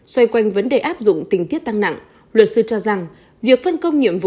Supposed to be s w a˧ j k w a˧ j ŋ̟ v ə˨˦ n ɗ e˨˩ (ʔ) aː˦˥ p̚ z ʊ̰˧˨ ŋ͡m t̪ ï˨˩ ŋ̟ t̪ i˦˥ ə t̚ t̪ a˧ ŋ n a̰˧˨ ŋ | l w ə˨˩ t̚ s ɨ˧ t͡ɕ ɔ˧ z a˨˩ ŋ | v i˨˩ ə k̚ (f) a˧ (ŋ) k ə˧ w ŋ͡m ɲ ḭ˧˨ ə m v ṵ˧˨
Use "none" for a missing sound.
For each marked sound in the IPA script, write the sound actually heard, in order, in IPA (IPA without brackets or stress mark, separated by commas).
ʔ, f, n